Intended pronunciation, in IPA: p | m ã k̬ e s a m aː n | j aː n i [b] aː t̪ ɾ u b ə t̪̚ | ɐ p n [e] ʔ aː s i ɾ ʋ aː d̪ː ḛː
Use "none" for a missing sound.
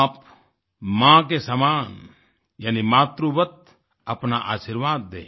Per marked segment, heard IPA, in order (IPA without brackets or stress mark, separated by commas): m, a